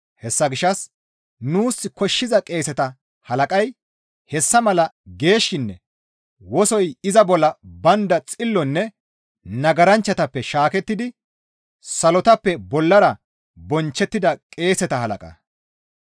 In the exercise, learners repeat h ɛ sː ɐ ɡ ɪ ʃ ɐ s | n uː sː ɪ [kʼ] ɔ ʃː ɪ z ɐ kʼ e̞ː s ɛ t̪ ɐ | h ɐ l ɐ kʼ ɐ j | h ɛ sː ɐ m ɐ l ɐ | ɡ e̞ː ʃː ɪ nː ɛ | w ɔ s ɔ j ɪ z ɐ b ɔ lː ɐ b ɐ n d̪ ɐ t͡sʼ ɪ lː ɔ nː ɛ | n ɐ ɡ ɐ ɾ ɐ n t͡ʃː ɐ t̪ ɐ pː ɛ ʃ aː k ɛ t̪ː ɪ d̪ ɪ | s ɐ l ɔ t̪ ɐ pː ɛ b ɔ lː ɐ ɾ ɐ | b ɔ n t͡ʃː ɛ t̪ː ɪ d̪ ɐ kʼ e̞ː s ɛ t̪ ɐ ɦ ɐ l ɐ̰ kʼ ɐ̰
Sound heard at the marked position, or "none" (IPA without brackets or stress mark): k